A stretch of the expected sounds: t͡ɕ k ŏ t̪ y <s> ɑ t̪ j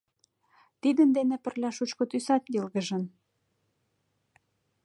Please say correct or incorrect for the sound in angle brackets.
correct